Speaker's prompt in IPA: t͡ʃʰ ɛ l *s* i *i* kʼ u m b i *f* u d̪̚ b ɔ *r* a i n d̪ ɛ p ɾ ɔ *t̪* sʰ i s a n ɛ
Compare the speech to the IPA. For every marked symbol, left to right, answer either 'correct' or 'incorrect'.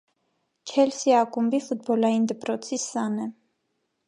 correct, incorrect, correct, incorrect, correct

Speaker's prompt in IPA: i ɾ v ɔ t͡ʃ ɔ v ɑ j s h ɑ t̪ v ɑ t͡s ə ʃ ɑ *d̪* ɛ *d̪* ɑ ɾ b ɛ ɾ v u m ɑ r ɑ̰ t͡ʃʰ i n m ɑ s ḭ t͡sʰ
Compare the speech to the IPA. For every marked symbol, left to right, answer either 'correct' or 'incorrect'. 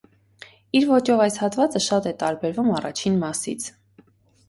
incorrect, incorrect

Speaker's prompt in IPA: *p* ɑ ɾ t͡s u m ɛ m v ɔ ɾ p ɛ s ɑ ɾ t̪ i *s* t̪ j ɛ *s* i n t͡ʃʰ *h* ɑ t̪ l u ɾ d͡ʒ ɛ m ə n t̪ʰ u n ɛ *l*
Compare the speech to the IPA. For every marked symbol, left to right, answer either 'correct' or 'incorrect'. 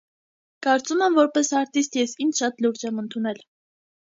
incorrect, correct, correct, incorrect, correct

